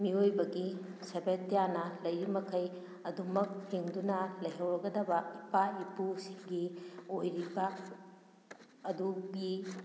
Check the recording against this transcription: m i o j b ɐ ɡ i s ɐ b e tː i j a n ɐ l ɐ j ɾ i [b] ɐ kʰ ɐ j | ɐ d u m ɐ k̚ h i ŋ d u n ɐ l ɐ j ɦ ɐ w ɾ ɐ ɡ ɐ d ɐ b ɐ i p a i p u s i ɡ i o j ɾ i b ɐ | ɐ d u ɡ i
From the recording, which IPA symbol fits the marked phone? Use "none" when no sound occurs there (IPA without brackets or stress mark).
m